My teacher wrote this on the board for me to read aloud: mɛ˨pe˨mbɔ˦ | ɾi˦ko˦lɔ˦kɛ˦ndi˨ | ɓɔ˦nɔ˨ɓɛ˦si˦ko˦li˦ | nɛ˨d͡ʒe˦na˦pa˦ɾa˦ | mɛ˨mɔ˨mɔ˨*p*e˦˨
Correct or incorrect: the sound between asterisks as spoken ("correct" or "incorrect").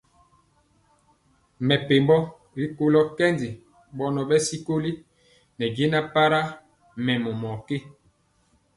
incorrect